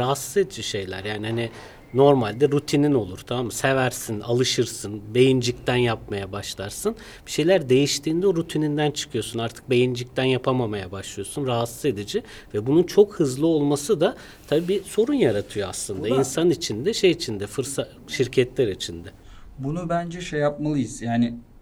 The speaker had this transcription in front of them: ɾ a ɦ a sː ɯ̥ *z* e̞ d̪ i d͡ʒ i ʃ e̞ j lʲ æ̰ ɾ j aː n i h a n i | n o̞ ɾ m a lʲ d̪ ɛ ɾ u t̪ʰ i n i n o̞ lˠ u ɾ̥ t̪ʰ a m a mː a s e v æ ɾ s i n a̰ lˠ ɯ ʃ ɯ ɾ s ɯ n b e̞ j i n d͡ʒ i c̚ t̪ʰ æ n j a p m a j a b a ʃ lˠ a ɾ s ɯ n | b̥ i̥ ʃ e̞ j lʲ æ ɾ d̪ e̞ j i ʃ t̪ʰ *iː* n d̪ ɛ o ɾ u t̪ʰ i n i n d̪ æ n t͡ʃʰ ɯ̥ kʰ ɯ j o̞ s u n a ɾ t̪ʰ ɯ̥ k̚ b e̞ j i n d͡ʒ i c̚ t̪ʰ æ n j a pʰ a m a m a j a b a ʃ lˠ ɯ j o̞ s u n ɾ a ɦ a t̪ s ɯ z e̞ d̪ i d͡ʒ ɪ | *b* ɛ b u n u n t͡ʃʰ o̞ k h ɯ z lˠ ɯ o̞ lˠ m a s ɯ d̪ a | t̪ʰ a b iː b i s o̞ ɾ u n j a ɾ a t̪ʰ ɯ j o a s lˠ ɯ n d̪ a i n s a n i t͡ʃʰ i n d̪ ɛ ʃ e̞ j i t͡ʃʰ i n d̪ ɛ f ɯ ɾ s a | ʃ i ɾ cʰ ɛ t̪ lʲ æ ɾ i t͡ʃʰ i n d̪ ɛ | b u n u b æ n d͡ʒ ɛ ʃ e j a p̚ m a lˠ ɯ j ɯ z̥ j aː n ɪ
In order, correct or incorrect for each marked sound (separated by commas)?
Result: correct, correct, incorrect